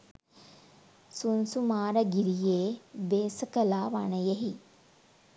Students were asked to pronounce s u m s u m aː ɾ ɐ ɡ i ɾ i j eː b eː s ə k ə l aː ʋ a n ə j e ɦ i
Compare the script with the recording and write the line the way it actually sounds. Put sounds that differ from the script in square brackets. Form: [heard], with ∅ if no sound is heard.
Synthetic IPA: s u [n] s u m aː ɾ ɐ ɡ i ɾ i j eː b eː s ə k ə l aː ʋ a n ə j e ɦ i